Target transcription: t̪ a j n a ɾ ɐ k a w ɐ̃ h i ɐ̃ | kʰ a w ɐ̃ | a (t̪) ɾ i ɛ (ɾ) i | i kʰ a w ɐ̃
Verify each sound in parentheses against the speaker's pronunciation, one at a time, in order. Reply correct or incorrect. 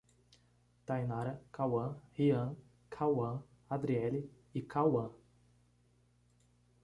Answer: incorrect, incorrect

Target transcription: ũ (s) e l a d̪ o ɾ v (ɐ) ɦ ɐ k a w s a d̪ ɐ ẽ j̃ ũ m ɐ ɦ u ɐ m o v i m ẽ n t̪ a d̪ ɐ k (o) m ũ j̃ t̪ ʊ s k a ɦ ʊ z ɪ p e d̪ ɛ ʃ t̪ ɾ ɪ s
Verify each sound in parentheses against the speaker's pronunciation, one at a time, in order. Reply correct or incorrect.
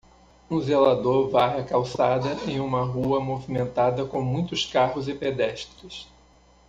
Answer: incorrect, incorrect, incorrect

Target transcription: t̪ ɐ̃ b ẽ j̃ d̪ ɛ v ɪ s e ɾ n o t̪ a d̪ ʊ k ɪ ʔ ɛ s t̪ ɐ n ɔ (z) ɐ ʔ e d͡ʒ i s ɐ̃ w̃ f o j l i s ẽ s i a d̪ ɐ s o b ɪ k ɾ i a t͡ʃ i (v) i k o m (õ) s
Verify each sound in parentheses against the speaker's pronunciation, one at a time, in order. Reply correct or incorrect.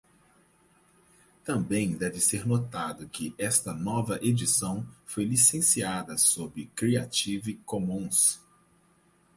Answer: incorrect, correct, incorrect

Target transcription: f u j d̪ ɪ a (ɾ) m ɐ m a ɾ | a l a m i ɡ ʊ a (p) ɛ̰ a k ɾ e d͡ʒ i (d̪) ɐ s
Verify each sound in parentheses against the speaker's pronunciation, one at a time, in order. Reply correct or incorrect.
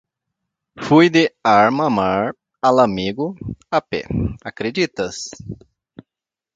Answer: correct, correct, incorrect

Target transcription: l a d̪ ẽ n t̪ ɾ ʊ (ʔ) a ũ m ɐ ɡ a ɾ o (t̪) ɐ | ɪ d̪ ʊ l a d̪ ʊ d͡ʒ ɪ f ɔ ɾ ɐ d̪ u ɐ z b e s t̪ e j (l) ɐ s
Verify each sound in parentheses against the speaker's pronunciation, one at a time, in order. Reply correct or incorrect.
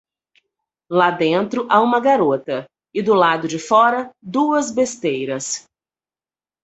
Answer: correct, correct, incorrect

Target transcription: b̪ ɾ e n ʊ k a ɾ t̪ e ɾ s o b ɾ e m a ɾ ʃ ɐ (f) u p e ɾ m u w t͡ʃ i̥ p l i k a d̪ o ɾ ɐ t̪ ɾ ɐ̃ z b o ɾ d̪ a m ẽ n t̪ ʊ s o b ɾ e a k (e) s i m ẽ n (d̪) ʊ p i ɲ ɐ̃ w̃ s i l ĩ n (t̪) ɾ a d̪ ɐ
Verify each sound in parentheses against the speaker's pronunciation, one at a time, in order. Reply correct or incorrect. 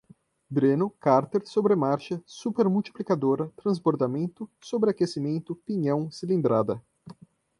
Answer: incorrect, correct, incorrect, incorrect

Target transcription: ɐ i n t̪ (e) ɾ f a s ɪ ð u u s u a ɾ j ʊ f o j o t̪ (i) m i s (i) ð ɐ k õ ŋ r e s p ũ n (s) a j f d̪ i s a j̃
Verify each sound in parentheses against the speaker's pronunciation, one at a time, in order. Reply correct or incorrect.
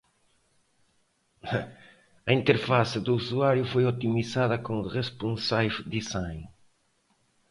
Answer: correct, correct, incorrect, correct

